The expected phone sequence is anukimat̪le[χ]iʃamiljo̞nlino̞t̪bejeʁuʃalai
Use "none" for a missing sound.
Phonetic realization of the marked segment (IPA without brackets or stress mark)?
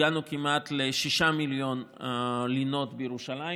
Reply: ʃ